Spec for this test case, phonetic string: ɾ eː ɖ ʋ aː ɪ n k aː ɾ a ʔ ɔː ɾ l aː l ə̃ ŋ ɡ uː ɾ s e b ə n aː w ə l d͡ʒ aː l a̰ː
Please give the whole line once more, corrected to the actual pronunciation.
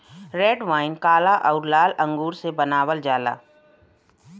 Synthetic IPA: ɾ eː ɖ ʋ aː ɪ n k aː l a ʔ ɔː ɾ l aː l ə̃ ŋ ɡ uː ɾ s e b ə n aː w ə l d͡ʒ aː l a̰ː

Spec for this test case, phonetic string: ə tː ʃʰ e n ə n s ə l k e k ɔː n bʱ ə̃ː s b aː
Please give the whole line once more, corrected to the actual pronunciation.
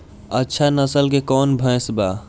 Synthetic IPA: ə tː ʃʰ a n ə s ə l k e k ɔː n bʱ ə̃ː s b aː

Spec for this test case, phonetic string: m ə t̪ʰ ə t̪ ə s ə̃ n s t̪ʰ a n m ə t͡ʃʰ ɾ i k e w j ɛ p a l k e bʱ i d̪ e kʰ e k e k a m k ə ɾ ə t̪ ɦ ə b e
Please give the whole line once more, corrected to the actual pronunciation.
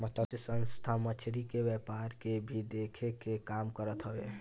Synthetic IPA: m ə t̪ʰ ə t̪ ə s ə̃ n s t̪ʰ a m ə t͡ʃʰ ɾ i k e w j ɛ p a ɾ k e bʱ i d̪ e kʰ e k e k a m k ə ɾ ə t̪ ɦ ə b e

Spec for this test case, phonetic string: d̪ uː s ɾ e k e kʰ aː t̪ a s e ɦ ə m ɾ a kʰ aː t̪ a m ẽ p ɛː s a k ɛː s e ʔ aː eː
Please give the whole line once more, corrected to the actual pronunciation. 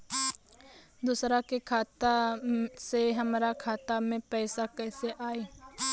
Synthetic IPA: d̪ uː s ɾ a k e kʰ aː t̪ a s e ɦ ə m ɾ a kʰ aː t̪ a m ẽ p ɛː s a k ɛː s e ʔ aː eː

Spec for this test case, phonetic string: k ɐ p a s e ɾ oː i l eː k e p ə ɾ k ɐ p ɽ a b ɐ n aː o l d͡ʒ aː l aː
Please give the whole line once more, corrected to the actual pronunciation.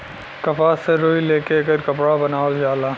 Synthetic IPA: k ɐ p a s e ɾ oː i l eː k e k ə ɾ k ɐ p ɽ a b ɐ n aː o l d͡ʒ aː l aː

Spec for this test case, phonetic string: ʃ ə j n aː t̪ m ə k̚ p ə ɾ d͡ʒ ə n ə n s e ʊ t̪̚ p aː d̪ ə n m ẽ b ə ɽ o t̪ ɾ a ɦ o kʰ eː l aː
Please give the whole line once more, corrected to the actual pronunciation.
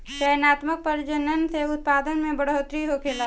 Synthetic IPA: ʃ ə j n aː t̪ m ə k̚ p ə ɾ d͡ʒ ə n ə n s e ʊ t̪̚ p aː d̪ ə n m ẽ b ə ɽ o t̪ ɾ i ɦ o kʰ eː l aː

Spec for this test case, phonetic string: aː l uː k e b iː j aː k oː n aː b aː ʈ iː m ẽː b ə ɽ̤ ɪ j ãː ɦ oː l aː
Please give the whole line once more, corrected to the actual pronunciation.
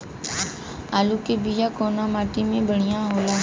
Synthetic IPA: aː l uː k e b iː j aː k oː n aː m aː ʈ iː m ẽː b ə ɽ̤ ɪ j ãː ɦ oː l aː

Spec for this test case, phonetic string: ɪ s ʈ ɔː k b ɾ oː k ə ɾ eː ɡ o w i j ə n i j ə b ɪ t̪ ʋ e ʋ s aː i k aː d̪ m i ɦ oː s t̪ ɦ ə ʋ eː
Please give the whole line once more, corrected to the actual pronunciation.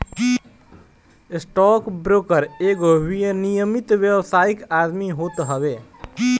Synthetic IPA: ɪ s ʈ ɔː k b ɾ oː k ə ɾ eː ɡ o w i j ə n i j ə m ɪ t̪ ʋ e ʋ s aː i k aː d̪ m i ɦ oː t̪ ɦ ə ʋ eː

